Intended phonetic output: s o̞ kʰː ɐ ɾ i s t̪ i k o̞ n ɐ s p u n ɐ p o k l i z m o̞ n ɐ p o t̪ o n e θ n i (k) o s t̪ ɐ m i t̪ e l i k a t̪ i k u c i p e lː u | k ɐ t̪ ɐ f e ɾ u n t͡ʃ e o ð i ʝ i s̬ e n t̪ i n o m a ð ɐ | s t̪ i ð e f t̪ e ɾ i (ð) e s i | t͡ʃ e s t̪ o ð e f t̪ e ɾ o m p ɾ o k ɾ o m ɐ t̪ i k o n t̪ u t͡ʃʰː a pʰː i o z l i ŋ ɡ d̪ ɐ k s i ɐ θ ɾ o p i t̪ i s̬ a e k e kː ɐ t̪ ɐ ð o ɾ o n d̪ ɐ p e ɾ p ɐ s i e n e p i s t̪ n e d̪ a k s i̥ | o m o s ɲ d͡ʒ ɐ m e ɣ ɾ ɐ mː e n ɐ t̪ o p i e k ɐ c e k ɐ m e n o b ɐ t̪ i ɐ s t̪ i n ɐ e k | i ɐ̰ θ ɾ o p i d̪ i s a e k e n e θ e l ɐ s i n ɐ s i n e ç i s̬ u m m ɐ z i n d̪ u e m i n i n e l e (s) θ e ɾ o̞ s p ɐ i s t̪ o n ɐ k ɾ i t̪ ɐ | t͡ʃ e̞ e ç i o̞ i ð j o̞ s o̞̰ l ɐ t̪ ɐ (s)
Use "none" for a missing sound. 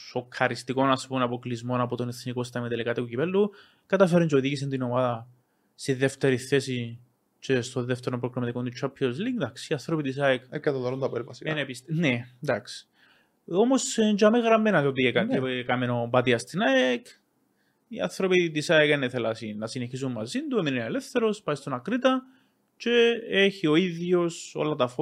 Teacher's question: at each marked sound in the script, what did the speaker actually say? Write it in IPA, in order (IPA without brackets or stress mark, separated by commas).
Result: k, θ, f, f